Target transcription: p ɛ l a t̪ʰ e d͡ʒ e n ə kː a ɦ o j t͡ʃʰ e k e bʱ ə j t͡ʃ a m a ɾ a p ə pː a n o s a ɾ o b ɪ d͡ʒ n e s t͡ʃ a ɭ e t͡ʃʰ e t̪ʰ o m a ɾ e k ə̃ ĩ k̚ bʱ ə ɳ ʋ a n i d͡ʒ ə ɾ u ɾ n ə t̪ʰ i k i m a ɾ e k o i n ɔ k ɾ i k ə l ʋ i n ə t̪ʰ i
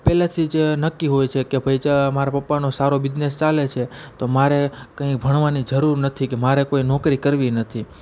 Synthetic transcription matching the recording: p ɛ l a t̪ʰ i d͡ʒ e n ə kː i ɦ o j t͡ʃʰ e k e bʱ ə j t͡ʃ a m a ɾ a p ə pː a n o s a ɾ o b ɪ d͡ʒ n e s t͡ʃ a l e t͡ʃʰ e t̪ o m a ɾ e k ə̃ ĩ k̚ bʱ ə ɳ ʋ a n i d͡ʒ ə ɾ u ɾ n ə t̪ʰ i k e m a ɾ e k o i n ɔ k ɾ i k ə ɾ ʋ i n ə t̪ʰ i